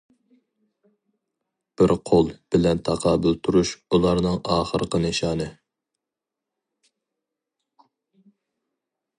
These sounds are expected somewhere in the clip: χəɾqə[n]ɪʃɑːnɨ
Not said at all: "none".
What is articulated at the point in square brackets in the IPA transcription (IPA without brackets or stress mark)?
n